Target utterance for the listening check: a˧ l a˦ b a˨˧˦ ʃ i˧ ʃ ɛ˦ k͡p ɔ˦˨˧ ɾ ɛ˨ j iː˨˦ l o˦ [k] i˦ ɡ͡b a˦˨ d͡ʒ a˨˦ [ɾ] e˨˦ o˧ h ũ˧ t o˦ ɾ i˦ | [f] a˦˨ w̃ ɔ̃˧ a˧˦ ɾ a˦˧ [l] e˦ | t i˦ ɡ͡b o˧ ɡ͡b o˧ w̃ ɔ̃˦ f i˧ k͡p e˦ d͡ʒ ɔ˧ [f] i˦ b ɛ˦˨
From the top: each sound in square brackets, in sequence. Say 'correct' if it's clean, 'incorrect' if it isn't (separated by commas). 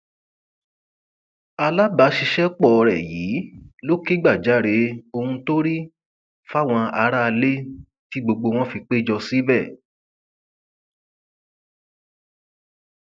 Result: correct, correct, correct, correct, incorrect